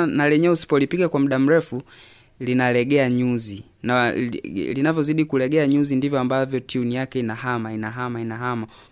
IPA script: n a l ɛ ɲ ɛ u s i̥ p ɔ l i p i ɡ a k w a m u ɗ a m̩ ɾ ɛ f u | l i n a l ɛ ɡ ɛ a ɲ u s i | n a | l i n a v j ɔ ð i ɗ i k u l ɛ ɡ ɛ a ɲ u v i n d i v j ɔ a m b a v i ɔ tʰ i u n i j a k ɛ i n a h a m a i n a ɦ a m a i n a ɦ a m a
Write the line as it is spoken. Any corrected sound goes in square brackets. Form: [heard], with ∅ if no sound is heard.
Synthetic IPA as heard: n a l ɛ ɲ ɛ u s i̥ p ɔ l i p i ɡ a k w a m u ɗ a m̩ ɾ ɛ f u | l i n a l ɛ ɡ ɛ a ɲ u [z] i | n a | l i n a v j ɔ [z] i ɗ i k u l ɛ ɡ ɛ a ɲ u [z] i n d i v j ɔ a m b a v [j] ɔ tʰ i u n i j a k ɛ i n a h a m a i n a ɦ a m a i n a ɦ a m a